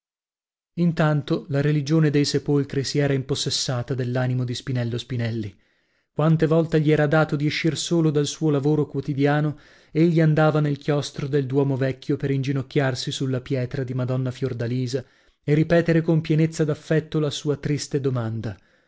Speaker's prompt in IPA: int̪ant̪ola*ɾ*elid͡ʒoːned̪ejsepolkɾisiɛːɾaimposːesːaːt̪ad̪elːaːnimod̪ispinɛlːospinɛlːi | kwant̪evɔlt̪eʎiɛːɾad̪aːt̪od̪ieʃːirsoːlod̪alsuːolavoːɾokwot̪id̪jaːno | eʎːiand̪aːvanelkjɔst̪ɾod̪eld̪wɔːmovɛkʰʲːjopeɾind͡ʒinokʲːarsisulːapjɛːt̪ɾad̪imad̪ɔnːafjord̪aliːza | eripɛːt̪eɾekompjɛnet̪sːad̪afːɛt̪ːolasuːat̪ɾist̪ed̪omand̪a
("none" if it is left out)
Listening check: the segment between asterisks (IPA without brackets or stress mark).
ɾ